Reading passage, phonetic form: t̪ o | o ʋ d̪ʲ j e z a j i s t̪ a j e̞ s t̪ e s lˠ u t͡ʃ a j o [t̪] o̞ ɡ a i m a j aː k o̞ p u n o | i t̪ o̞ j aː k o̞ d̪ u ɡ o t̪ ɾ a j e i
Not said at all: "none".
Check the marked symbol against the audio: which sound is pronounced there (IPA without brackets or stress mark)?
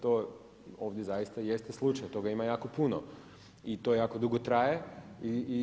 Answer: t̪